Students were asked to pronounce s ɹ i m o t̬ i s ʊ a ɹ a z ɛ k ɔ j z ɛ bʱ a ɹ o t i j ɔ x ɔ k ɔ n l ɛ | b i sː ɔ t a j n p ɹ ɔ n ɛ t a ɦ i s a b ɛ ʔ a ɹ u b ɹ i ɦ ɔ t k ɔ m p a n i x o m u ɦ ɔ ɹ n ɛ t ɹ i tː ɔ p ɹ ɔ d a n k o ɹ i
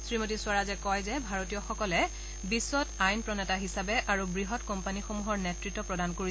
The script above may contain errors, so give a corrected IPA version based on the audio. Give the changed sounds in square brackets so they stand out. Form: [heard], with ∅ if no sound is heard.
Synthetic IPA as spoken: s ɹ i m o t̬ i s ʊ a ɹ a z ɛ k ɔ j z ɛ bʱ a ɹ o t i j ɔ x ɔ k ɔ [∅] l ɛ | b i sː ɔ t a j n p ɹ ɔ n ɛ t a ɦ i s a b ɛ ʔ a ɹ u b ɹ i ɦ ɔ t k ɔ m p a n i x o m u ɦ ɔ ɹ n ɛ t ɹ i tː ɔ p ɹ ɔ d a n k o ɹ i